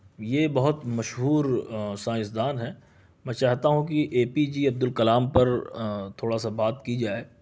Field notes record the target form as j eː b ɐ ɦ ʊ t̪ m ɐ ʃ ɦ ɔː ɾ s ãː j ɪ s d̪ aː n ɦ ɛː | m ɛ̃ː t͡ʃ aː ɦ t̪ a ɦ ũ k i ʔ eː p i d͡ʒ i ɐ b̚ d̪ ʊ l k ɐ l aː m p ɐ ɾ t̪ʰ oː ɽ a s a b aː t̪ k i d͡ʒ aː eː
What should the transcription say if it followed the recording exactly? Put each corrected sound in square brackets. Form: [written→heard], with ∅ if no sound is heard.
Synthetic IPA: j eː b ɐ ɦ ʊ t̪ m ɐ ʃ ɦ [ɔː→uː] ɾ s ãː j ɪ s d̪ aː n ɦ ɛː | m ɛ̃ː t͡ʃ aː ɦ t̪ a ɦ ũ k i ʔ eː p i d͡ʒ i ɐ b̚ d̪ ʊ l k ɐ l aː m p ɐ ɾ t̪ʰ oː ɽ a s a b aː t̪ k i d͡ʒ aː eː